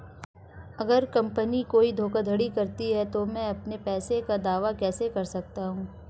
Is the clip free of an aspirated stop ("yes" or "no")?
yes